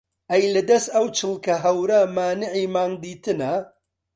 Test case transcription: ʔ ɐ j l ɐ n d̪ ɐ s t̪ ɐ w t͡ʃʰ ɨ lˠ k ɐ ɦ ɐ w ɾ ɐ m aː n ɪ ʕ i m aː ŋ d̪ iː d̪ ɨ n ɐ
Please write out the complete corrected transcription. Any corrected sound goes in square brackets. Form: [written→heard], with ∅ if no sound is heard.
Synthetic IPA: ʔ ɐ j l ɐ [n→∅] d̪ ɐ s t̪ ɐ w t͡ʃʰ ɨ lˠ k ɐ ɦ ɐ w ɾ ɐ m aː n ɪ ʕ i m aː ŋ d̪ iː [d̪→t̪] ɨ n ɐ